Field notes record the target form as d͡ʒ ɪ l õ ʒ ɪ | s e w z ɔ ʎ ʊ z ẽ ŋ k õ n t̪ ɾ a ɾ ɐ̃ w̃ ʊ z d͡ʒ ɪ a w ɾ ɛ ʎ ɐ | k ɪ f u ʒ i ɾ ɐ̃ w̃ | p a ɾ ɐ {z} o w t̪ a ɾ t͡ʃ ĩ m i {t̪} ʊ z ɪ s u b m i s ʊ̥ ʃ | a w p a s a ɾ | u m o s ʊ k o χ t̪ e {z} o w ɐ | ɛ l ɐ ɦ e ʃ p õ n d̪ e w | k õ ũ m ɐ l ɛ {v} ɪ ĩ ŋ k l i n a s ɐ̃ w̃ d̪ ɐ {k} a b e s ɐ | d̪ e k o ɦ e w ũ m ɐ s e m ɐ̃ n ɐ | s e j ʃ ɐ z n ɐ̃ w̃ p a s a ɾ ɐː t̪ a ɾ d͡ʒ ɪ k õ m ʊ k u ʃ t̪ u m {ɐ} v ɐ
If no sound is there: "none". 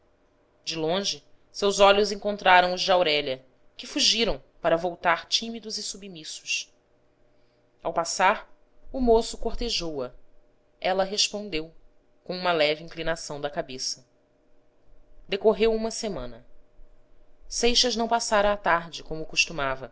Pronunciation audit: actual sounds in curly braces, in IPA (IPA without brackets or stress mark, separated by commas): v, d̪, ʒ, v, k, a